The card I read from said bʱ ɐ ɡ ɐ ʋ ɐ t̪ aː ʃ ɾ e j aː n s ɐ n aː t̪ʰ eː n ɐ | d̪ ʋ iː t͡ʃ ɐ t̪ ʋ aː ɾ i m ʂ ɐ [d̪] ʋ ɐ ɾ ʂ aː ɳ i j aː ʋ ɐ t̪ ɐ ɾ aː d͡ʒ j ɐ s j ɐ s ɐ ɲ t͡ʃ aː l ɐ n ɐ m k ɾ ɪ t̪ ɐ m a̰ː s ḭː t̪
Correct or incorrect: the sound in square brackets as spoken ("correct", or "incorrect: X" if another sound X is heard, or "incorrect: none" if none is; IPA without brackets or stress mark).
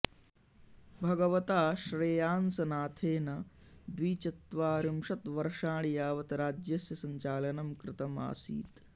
incorrect: t̪